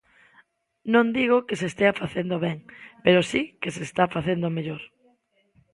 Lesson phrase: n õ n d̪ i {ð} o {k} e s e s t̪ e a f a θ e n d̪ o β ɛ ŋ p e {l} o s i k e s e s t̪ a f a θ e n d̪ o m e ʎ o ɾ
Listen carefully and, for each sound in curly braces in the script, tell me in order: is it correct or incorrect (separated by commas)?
incorrect, correct, incorrect